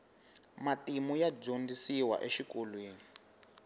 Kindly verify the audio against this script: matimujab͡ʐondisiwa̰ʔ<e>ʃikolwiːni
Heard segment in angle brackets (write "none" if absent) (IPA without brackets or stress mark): e